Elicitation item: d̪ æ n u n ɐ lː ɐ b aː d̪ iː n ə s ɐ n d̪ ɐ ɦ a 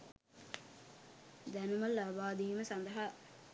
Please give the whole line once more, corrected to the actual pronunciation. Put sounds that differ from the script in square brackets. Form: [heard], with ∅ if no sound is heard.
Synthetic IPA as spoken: d̪ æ n u [m] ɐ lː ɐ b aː d̪ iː [m] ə s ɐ n d̪ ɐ ɦ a